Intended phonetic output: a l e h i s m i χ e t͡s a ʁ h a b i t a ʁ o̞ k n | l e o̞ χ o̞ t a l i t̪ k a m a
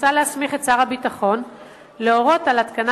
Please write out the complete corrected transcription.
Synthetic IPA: a l e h a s m i χ e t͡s a ʁ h a b i t a χ o̞ n | l e o̞ ʁ o̞ t a l a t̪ k a n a

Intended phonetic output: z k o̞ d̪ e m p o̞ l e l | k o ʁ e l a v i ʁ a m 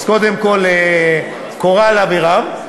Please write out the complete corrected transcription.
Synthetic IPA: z k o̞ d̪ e m k o̞ l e | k o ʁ a l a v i ʁ a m

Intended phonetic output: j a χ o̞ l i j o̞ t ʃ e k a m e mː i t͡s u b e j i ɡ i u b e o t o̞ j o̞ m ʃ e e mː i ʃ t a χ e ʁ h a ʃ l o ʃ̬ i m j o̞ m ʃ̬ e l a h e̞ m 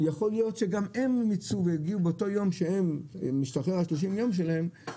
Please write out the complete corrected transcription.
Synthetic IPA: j a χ o̞ l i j o̞ t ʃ e ɡ a m e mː i t͡s u v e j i ɡ i u b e o t o̞ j o̞ m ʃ e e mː i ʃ t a χ e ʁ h a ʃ l o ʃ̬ i m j o̞ m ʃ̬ e l a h e̞ m

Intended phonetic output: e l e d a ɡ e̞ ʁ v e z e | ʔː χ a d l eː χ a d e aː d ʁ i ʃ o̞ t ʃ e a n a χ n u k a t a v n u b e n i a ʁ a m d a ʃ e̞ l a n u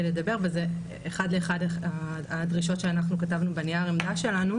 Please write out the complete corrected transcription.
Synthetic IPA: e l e d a b e̞ ʁ v e z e | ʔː χ a d l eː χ a d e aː d ʁ i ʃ o̞ t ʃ e a n a χ n u k a t a v n u b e n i a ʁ e m d a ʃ e̞ l a n u

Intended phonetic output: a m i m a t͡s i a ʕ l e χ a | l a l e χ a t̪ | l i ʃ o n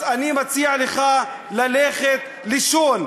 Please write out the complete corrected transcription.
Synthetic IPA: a n i m a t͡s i a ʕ l e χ a | l a l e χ e t̪ | l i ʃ o n

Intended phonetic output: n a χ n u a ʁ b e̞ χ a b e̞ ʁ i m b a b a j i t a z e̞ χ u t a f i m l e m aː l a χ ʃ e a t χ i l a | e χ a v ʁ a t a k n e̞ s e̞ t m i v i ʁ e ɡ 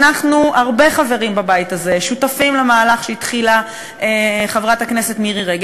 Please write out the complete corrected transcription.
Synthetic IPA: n a χ n u a ʁ b e̞ χ a v e̞ ʁ i m b a b a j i t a z e̞ ʃ u t a f i m l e m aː l a χ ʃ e i t χ i l a | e χ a v ʁ a t a k n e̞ s e̞ t m i ʁ i ʁ e ɡ

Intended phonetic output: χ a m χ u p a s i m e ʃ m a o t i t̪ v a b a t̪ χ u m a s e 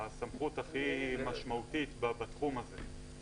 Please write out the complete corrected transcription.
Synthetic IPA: s a m χ u t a χ i m a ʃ m a u t i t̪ b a b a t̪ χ u m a z e

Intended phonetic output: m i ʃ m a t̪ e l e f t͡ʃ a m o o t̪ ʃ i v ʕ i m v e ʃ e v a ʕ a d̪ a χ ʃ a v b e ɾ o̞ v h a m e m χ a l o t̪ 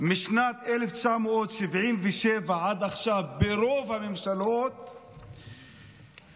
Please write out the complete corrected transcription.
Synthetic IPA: m i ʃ n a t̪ e l e f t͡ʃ a m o o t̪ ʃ i v ʕ i m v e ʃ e v a ʕ a d̪ a χ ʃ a v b e ɾ o̞ v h a m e m ʃ a l o t̪

